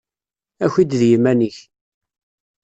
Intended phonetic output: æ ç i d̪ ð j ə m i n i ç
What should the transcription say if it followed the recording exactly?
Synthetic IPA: æ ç i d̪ ð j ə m æ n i ç